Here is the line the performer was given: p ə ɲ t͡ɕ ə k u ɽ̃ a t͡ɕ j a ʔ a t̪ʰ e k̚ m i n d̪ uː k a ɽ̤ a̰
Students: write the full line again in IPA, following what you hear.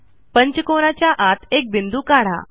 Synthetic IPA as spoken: p ə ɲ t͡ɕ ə k o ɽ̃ a t͡ɕ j a ʔ a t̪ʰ e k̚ b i n d̪ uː k a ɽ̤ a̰